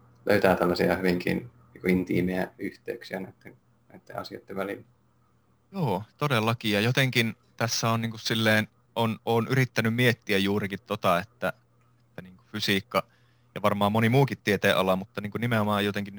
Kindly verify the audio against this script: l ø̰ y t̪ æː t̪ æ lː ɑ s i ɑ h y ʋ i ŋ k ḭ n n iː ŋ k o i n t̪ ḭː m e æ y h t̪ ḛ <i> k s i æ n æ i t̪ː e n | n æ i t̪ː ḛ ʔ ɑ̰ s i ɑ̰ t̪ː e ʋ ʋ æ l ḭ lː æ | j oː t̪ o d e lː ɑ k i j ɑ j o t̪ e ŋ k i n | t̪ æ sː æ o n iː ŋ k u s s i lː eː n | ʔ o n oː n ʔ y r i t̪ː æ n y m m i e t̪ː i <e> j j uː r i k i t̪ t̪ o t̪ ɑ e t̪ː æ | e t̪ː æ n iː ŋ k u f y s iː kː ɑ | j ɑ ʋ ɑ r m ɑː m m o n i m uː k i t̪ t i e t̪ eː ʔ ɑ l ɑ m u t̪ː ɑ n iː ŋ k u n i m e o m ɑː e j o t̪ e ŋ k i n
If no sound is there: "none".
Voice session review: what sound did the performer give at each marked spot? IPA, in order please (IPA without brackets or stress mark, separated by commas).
y, æ